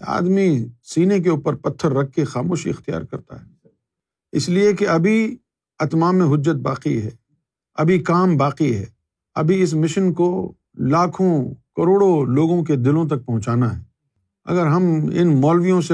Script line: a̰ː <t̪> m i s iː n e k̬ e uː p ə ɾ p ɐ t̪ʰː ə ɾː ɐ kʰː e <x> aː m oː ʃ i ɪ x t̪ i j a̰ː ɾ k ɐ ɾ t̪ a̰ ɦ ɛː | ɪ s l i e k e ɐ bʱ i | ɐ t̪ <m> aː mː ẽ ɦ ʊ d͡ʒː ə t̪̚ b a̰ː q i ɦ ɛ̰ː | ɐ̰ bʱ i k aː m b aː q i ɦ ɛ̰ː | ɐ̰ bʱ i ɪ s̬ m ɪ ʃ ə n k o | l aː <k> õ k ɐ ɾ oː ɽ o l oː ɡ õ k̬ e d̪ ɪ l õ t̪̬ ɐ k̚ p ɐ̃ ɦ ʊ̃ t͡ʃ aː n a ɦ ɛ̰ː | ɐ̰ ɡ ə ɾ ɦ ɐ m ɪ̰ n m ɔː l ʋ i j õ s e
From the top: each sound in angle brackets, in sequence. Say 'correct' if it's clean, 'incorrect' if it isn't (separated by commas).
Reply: incorrect, correct, correct, incorrect